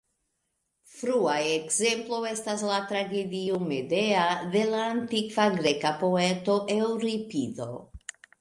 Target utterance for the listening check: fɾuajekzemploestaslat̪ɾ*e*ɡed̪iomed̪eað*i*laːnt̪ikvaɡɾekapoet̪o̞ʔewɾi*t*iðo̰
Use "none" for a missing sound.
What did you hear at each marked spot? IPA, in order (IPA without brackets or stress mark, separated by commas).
a, e, p